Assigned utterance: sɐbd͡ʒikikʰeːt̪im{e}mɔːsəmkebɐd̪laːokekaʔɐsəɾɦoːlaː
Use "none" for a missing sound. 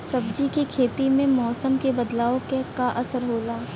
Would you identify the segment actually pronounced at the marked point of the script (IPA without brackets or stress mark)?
ẽ